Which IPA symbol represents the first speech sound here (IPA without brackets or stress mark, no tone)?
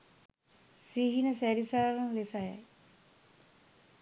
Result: s